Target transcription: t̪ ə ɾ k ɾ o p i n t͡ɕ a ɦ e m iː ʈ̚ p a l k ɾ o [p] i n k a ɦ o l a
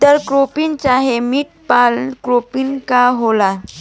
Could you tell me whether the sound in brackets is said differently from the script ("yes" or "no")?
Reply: no